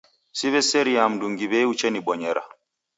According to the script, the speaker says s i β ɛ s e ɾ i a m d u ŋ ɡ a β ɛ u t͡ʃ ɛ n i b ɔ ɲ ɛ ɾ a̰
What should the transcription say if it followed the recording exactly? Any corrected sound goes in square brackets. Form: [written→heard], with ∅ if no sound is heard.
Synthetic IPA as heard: s i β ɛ s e ɾ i a m d u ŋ ɡ [a→i] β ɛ u t͡ʃ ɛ n i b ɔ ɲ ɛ ɾ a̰